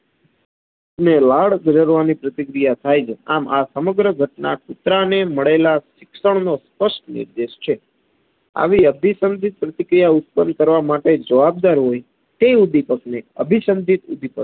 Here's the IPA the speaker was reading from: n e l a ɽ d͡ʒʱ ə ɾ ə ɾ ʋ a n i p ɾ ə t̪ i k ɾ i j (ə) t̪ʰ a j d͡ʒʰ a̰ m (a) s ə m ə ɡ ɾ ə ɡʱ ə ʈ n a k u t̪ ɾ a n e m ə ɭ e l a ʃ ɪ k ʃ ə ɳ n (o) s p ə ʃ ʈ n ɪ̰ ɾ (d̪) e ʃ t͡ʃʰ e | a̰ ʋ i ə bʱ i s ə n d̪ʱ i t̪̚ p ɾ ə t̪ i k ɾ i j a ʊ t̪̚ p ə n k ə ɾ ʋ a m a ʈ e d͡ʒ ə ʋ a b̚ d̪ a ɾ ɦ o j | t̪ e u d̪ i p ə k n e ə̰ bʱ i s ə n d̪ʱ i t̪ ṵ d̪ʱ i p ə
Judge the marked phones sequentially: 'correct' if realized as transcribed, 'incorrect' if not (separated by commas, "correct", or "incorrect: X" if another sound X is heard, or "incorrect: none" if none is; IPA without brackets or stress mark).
incorrect: a, correct, correct, correct